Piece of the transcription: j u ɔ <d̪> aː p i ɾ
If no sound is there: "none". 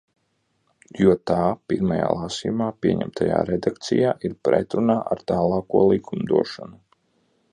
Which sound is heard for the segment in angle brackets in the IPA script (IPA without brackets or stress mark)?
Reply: t̪